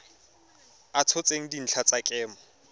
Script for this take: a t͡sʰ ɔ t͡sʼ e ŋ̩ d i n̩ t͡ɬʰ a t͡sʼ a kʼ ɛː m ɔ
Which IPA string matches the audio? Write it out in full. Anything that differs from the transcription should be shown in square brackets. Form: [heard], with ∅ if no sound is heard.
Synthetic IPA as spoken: a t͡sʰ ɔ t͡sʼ e ŋ̩ d i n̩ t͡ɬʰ a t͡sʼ a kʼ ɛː m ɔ